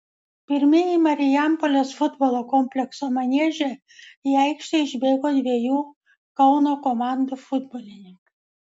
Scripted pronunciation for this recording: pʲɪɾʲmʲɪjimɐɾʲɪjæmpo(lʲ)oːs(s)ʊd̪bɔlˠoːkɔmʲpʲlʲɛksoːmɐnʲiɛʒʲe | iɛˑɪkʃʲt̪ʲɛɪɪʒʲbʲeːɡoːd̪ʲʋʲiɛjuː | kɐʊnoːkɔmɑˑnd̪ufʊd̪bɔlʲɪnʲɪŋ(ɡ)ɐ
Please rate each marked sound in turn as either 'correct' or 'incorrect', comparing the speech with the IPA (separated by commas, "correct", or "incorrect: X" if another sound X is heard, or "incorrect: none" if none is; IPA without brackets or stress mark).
correct, incorrect: f, incorrect: k